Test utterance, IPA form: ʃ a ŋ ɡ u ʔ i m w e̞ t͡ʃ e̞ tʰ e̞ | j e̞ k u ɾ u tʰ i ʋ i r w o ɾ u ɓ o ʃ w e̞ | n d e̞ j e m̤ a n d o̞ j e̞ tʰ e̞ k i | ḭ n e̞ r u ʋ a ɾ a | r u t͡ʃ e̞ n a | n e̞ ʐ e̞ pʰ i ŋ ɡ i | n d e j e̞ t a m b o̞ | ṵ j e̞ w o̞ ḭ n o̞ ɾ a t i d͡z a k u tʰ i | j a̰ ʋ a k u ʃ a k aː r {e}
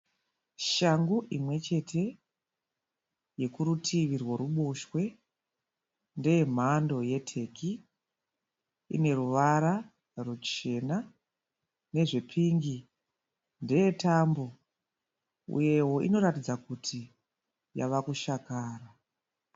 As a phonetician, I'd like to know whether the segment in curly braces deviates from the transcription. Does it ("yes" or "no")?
yes